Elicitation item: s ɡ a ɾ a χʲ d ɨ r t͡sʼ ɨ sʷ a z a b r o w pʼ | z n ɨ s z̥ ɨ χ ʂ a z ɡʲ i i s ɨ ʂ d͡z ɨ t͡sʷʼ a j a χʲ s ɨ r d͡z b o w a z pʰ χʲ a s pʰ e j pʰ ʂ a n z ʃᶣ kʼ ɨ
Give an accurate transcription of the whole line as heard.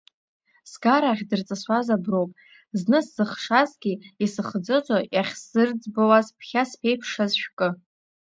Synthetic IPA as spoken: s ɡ a ɾ a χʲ d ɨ r t͡sʼ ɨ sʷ a z a b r o w pʼ | z n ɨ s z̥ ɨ χ ʂ a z ɡʲ i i s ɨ χ d͡z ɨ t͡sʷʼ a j a χʲ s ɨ r d͡z b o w a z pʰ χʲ a s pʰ e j pʰ ʂ a z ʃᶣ kʼ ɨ